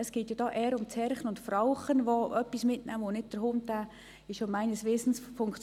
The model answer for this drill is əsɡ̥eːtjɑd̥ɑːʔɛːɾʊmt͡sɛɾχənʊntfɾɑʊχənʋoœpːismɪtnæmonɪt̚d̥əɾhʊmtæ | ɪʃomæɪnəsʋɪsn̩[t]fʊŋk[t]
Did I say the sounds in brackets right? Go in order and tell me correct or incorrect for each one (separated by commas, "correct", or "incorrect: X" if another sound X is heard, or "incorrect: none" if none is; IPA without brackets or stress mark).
incorrect: s, incorrect: t͡s